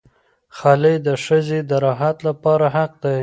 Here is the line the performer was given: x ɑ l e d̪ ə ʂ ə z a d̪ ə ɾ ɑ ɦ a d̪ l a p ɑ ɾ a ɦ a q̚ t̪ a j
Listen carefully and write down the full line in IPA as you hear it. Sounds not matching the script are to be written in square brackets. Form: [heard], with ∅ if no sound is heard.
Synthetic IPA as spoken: x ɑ l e d̪ ə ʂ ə z [e] d̪ ə ɾ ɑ ɦ a [t̪] l a p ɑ ɾ a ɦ a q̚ [d̪] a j